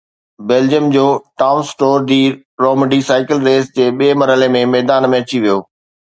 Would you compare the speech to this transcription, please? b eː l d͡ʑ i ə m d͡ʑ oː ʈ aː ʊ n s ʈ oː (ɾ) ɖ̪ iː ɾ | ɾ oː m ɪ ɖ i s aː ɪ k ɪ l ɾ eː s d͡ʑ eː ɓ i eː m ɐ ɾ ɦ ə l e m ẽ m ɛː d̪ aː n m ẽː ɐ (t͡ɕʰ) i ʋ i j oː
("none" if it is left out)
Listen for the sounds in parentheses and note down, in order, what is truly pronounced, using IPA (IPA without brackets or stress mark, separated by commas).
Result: ɾ, t͡ɕ